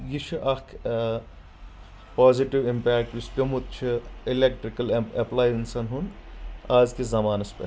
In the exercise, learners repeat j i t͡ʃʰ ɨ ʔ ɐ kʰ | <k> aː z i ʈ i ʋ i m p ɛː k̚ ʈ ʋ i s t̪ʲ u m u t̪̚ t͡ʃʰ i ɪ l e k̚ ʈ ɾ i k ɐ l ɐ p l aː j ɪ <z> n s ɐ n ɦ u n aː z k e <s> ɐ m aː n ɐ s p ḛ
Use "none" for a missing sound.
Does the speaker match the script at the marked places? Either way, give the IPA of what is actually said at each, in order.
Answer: p, none, z

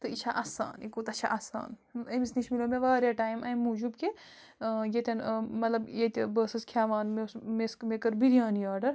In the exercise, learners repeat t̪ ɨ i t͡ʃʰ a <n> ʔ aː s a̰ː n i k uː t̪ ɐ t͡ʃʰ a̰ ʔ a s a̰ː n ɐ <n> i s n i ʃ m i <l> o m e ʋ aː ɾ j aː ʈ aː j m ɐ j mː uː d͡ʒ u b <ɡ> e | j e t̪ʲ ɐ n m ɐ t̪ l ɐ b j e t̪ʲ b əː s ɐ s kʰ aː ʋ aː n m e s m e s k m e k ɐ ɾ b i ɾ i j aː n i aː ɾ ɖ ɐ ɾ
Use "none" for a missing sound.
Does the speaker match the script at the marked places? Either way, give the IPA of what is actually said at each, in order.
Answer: none, m, l, k

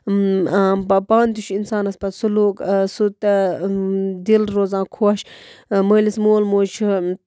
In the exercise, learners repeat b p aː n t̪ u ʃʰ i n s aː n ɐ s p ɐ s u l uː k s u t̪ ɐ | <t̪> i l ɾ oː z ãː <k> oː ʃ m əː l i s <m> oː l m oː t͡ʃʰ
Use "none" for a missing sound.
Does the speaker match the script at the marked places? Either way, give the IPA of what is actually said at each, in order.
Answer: d̪, kʰ, m

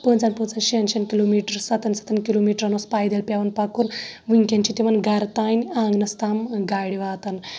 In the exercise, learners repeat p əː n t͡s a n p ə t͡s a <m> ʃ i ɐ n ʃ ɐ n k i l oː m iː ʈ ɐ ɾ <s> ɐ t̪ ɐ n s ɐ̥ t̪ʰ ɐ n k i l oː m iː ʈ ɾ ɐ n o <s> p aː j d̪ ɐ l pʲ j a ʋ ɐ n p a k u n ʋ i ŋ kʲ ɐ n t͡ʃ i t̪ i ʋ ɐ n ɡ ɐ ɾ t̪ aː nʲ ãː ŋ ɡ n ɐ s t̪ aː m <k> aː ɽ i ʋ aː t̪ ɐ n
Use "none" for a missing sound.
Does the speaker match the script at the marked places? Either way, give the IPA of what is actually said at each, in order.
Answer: n, s, s, ɡ

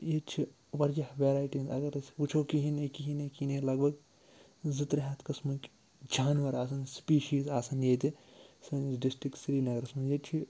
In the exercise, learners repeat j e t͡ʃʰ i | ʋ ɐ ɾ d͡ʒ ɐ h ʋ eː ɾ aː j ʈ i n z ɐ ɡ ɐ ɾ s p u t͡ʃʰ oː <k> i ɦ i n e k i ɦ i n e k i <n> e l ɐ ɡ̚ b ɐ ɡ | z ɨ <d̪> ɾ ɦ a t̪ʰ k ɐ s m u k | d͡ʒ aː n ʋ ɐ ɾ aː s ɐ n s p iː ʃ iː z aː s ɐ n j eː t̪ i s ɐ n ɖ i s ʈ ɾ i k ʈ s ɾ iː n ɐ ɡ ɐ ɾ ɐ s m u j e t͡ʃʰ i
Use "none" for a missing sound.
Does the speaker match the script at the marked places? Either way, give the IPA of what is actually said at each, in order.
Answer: k, n, t̪

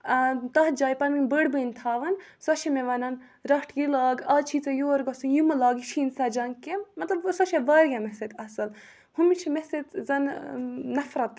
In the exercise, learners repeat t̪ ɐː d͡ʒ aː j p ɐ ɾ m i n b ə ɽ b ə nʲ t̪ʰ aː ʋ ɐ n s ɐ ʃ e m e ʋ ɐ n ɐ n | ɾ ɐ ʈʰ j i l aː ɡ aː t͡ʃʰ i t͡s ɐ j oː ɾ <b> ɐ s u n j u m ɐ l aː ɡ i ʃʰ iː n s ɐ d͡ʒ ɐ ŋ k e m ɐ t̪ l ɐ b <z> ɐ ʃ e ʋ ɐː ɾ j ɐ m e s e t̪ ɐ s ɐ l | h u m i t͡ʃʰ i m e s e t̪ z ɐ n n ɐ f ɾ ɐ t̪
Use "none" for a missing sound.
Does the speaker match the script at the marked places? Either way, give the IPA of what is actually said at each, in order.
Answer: ɡ, s

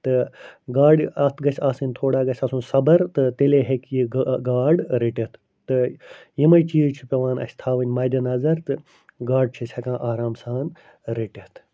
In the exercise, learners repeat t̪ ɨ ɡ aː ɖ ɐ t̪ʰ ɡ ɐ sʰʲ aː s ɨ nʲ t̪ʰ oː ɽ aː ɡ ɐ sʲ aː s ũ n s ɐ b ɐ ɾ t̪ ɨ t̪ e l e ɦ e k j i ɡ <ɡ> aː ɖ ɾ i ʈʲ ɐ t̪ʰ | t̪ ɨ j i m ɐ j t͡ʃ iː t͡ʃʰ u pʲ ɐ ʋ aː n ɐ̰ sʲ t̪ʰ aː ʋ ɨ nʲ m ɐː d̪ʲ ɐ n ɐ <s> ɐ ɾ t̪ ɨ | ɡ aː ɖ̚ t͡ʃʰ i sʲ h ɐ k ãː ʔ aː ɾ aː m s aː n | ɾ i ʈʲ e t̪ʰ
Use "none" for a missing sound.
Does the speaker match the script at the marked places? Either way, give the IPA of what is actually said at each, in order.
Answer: ɡ, z

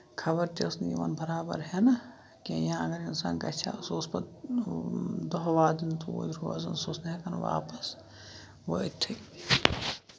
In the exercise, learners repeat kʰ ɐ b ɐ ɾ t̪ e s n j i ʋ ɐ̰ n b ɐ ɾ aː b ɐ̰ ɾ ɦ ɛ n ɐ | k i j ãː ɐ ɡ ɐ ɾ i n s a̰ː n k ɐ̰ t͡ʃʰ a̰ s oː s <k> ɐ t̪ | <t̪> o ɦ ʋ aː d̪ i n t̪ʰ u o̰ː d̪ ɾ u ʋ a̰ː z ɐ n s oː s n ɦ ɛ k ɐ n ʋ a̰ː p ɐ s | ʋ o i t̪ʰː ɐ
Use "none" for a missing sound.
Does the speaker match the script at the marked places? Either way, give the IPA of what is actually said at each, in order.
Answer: p, d̪

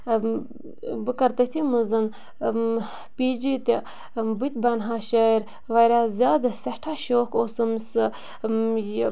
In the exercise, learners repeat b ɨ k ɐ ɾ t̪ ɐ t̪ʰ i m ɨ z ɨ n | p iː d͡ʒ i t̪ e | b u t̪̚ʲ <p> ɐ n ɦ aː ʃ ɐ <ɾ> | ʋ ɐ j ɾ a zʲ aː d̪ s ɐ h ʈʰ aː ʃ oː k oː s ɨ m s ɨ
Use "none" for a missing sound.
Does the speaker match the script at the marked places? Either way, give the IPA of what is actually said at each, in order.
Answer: b, ɾ

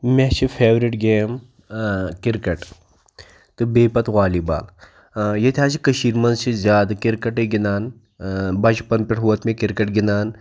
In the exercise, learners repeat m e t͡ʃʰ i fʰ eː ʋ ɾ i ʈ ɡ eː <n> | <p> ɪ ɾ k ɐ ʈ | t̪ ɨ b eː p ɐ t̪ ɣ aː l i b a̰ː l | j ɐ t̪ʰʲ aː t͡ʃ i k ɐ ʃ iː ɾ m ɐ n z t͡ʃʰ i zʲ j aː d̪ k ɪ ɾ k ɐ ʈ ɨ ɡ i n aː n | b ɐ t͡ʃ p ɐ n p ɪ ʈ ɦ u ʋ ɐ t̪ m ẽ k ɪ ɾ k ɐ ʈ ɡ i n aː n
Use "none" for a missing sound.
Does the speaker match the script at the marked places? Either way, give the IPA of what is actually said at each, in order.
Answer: m, k

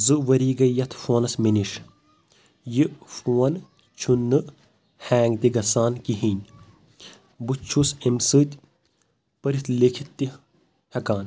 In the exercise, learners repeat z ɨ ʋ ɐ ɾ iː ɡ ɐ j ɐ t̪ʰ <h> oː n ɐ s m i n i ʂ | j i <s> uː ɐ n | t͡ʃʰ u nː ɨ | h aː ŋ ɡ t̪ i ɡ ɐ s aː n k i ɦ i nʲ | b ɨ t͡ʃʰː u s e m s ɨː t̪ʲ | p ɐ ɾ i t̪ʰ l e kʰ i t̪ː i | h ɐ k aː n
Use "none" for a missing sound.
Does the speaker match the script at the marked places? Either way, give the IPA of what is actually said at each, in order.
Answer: f, f

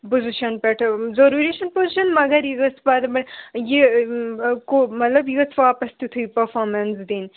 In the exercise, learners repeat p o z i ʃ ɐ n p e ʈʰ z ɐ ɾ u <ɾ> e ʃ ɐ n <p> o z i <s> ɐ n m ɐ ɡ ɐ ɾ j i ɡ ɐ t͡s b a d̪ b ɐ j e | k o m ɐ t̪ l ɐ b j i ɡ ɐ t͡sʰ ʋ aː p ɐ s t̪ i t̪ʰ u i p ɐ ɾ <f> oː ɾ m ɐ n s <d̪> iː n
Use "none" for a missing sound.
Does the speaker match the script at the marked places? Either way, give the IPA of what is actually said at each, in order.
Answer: ɾ, p, ʃ, f, d̪

